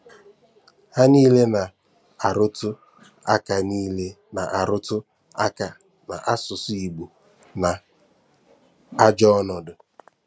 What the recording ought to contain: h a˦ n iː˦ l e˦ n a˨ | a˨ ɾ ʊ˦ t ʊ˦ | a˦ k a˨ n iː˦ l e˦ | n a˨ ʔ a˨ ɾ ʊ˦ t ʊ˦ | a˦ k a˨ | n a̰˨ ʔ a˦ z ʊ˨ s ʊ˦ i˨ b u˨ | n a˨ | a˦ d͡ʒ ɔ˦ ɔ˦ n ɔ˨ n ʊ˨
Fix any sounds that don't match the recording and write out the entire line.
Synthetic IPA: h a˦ n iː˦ l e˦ n a˨ | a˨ ɾ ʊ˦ t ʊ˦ | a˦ k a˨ n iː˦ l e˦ | n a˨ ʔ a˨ ɾ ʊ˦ t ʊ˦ | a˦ k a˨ | n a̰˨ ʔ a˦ s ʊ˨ s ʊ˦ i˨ ɡ͡b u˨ | n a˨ | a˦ d͡ʒ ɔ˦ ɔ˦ n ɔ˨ d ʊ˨